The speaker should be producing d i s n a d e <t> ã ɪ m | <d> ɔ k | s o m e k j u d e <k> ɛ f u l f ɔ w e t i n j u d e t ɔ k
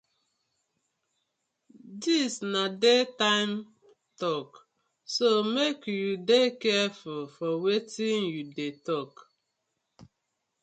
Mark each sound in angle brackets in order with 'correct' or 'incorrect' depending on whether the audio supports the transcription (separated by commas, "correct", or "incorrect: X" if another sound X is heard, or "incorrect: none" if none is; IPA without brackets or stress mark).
correct, incorrect: t, correct